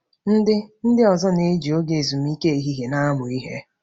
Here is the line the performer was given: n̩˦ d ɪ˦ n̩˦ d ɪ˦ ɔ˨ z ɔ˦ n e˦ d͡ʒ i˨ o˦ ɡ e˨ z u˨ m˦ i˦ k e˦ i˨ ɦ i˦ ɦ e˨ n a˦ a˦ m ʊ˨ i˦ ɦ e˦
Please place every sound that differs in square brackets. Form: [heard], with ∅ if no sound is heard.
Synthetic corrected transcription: n̩˦ d ɪ˦ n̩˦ d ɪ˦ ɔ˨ z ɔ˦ n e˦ d͡ʒ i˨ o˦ ɡ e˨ z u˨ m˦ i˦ k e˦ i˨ ɦ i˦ ɦ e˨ n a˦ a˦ m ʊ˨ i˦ ɦ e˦